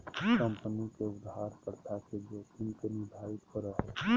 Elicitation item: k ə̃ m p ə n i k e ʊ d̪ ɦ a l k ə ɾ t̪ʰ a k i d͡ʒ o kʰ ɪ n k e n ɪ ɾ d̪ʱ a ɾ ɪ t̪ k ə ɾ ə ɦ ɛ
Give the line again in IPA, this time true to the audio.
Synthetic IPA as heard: k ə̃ m p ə n i k e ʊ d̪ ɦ a ɾ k ə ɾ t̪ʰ a k e d͡ʒ o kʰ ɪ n k e n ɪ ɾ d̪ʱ a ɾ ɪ t̪ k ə ɾ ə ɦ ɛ